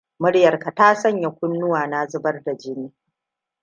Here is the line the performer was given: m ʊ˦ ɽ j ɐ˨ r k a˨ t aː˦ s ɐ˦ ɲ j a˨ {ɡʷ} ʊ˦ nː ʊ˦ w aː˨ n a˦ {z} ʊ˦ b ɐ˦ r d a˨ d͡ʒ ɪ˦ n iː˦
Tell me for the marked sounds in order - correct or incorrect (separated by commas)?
incorrect, correct